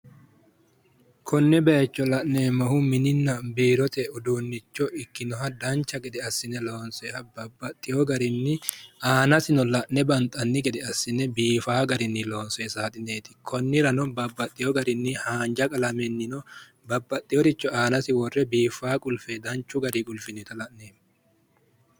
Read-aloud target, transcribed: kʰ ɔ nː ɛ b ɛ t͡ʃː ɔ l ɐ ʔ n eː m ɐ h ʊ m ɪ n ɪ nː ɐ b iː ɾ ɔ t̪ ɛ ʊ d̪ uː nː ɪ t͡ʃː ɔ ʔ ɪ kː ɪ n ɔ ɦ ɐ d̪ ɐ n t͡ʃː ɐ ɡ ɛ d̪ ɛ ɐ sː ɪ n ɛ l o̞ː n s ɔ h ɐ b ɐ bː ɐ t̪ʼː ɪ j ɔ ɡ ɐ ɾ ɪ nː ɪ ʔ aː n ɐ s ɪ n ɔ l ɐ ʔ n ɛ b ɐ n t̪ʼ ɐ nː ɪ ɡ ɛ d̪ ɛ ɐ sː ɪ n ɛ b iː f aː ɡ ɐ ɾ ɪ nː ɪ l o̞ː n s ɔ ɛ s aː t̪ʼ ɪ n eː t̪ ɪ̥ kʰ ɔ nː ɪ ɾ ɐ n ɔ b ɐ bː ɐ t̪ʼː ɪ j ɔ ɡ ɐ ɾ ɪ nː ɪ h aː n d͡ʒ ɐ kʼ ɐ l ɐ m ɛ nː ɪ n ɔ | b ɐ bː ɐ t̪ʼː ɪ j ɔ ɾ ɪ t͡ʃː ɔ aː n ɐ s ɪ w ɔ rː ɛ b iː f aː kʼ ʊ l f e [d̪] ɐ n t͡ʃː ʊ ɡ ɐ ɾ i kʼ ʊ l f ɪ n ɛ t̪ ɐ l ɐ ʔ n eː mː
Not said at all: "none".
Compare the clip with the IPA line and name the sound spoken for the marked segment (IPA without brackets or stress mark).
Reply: d̪